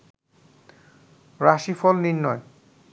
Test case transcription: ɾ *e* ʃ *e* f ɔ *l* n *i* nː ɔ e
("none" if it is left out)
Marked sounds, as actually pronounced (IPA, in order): a, i, l, i

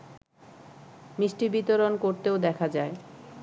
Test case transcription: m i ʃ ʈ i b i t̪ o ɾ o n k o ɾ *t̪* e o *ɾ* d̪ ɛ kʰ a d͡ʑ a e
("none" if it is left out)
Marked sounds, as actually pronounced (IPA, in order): t̪, none

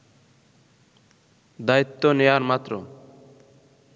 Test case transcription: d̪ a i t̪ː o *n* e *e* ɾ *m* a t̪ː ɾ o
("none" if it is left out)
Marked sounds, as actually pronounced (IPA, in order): n, a, m

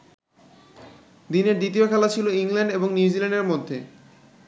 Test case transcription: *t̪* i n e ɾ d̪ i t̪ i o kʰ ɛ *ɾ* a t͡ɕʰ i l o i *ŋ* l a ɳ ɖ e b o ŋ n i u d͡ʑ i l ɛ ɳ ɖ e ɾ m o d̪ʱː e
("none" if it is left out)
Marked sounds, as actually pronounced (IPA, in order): d̪, l, ŋ

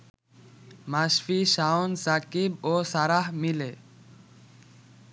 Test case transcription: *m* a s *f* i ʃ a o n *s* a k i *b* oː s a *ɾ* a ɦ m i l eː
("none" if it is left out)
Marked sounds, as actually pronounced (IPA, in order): m, f, s, b, ɾ

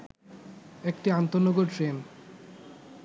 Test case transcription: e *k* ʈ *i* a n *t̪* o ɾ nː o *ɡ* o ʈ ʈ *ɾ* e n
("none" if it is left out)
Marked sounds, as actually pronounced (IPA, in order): k, i, t̪, ɡ, ɾ

